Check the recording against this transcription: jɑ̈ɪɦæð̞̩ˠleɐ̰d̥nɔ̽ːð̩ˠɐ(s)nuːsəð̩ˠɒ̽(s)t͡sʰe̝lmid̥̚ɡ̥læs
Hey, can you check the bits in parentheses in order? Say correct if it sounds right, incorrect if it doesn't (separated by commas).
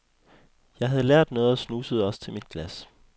correct, correct